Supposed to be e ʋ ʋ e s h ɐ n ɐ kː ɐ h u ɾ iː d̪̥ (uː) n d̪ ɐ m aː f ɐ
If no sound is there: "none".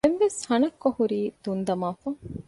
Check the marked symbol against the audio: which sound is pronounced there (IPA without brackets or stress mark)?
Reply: u